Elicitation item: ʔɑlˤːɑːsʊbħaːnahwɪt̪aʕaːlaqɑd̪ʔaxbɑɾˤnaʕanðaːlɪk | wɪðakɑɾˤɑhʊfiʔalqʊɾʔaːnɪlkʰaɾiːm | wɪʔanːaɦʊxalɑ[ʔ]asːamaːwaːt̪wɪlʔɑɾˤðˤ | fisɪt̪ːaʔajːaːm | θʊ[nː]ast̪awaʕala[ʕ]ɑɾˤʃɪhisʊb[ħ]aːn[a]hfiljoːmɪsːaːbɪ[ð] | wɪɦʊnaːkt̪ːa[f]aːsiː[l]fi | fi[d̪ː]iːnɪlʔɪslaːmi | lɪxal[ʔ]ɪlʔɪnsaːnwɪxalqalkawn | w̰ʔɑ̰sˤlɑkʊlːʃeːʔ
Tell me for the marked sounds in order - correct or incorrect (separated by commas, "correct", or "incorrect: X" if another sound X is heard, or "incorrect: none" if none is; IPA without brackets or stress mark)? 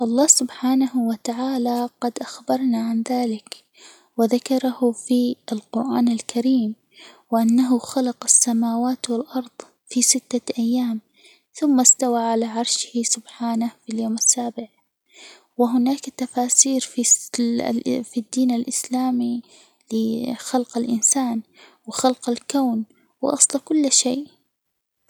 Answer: incorrect: q, incorrect: mː, correct, correct, correct, incorrect: ʕ, correct, incorrect: ɾ, correct, incorrect: q